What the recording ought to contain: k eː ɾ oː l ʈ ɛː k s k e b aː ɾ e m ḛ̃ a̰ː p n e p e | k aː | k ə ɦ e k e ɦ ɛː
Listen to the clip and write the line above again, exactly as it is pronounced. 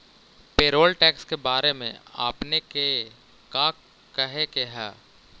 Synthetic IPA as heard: p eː ɾ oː l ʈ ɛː k s k e b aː ɾ e m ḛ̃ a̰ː p n e k e | k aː | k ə ɦ e k e ɦ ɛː